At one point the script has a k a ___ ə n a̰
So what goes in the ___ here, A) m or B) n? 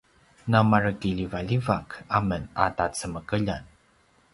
A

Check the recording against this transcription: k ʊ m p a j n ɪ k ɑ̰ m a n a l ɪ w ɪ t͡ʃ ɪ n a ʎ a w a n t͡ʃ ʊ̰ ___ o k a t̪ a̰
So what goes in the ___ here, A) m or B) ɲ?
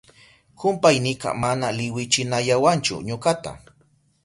B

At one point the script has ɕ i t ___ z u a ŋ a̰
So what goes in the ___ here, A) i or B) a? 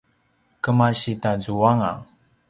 B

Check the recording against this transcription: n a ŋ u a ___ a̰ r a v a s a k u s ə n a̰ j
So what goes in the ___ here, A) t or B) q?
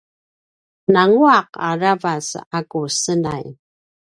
B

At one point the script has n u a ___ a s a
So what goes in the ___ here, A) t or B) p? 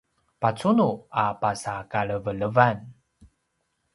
B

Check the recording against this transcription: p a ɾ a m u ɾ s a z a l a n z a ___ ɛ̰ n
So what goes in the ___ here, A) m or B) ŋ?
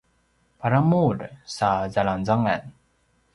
B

